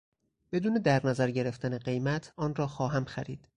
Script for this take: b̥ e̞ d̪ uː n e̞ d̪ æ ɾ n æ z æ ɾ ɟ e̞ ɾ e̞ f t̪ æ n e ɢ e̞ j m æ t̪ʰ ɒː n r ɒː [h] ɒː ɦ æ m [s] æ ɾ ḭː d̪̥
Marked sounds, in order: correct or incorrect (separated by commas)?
incorrect, incorrect